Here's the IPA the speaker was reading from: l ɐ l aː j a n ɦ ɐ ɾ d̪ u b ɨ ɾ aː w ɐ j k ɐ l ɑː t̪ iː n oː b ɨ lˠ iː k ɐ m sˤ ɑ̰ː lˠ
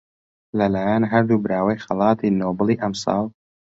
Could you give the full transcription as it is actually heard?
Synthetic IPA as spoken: l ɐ l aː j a n ɦ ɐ ɾ d̪ u b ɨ ɾ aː w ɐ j x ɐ l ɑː t̪ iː n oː b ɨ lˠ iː ʔ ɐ m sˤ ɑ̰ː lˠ